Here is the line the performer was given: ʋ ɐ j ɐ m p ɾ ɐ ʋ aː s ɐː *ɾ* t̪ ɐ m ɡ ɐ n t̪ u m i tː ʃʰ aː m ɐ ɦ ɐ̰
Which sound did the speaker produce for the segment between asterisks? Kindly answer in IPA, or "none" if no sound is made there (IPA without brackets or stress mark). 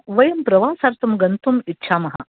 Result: ɾ